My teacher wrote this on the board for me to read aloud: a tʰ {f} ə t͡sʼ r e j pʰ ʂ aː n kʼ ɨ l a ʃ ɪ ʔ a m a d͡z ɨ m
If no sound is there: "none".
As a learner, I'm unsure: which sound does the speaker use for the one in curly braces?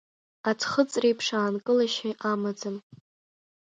χ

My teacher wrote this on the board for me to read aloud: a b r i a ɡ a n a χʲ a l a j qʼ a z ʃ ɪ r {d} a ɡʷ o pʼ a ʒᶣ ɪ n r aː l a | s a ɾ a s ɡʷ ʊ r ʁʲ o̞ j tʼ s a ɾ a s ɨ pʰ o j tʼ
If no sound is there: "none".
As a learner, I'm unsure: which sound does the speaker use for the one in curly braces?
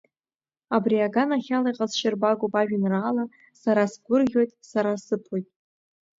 b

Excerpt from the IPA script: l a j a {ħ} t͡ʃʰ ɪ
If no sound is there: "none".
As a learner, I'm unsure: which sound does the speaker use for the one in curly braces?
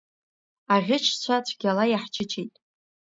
ħ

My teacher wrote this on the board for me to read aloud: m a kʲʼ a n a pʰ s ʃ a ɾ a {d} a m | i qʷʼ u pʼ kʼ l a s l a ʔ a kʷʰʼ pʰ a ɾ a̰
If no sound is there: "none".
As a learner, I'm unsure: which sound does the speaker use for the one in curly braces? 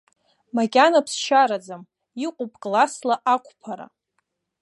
d͡z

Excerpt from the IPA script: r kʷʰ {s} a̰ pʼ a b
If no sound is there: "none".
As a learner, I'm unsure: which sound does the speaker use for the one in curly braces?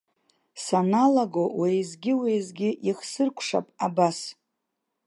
ʂ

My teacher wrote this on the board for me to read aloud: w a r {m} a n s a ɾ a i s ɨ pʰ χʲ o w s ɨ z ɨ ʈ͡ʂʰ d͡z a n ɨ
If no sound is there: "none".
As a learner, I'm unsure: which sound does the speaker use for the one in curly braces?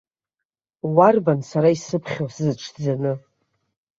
b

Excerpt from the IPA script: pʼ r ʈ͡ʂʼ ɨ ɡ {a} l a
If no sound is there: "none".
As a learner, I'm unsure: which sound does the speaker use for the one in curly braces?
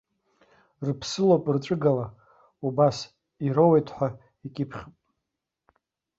a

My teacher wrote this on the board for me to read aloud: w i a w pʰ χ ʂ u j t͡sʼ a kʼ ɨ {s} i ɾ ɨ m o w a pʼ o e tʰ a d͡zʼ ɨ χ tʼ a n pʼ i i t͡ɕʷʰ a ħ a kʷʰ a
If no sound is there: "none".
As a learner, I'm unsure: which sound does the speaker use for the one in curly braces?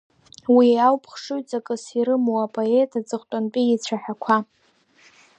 s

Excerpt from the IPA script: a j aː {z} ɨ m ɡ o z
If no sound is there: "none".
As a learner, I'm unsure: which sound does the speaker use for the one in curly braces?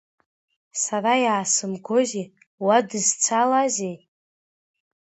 s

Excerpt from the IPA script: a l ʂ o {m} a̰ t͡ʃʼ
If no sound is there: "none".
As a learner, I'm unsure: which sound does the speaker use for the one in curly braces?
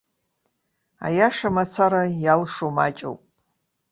m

